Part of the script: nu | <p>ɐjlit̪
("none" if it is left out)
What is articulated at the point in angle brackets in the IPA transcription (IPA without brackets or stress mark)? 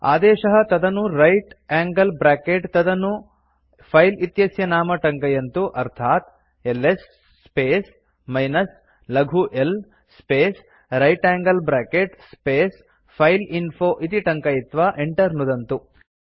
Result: pʰ